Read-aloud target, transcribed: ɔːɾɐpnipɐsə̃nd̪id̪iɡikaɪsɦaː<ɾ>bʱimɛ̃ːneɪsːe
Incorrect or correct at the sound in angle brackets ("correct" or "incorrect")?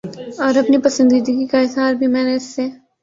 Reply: correct